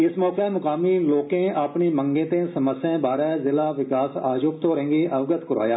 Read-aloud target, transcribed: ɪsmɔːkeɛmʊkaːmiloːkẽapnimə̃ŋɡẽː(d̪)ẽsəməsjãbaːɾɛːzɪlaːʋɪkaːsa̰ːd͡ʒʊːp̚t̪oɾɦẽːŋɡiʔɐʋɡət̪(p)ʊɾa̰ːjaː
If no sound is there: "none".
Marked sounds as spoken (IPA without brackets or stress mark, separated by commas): t̪, k